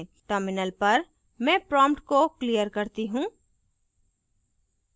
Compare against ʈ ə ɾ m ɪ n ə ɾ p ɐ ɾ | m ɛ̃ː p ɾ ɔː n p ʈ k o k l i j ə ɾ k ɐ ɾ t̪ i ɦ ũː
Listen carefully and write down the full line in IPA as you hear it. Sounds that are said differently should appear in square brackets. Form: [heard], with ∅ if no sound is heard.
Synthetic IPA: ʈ ə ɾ m ɪ n ə [l] p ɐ ɾ | m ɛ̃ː p ɾ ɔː [m] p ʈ k o k l i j ə ɾ k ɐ ɾ t̪ i ɦ ũː